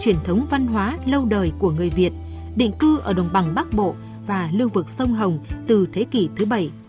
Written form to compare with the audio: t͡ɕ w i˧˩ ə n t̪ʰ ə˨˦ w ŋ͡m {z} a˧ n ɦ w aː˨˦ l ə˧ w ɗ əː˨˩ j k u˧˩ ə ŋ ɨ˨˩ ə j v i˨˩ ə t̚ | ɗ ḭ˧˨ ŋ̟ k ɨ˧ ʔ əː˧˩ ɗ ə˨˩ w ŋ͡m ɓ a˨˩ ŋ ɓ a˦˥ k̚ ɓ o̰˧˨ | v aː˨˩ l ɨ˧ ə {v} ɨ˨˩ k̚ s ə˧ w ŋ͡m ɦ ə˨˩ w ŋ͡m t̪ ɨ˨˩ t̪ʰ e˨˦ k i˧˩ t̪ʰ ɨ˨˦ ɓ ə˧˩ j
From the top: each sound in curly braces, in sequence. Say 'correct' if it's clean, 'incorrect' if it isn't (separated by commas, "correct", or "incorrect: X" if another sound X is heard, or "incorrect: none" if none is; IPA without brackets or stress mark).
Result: incorrect: v, correct